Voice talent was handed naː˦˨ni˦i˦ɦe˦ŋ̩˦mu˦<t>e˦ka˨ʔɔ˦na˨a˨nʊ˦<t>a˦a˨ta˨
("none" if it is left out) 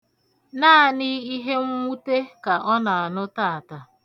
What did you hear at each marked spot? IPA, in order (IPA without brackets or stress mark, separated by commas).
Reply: t, t